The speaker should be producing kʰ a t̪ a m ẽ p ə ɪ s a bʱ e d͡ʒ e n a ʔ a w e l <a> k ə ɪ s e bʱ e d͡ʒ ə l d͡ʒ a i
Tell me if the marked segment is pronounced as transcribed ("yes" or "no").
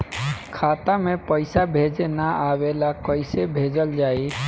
yes